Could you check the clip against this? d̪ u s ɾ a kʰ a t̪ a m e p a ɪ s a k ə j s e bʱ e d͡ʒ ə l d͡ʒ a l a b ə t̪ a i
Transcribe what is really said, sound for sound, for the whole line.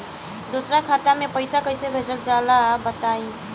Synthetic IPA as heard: d̪ o s ɾ a kʰ a t̪ a m e p ə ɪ s a k ə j s e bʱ e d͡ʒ ə l d͡ʒ a l a b ə t̪ a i